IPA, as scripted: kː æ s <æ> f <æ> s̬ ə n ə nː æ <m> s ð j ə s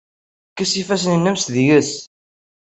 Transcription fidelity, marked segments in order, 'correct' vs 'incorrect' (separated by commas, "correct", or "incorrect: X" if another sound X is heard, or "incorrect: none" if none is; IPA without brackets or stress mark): incorrect: i, correct, correct